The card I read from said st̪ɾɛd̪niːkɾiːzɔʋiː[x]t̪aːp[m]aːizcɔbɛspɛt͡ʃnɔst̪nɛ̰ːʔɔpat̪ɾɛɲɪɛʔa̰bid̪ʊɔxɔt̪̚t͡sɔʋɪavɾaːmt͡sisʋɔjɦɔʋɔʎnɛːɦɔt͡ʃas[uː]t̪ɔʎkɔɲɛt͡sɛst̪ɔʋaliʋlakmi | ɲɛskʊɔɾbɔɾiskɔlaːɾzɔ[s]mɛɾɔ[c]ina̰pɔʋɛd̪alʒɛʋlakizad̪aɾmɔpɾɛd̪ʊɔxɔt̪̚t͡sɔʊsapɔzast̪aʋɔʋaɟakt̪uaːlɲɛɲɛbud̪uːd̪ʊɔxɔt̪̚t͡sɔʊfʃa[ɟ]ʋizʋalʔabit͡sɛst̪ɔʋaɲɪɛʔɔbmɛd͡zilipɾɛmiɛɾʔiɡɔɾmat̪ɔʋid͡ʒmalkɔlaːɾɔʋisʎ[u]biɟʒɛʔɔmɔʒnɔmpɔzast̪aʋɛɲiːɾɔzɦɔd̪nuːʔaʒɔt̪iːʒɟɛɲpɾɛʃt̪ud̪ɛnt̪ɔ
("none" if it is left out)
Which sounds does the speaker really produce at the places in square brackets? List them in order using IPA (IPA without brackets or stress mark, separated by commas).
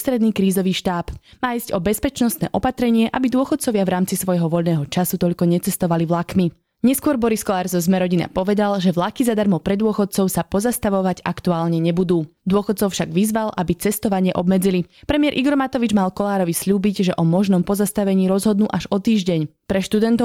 ʃ, m, u, z, ɟ, ɡ, uː